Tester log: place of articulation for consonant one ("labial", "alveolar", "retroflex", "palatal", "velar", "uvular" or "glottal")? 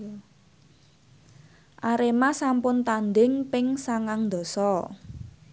glottal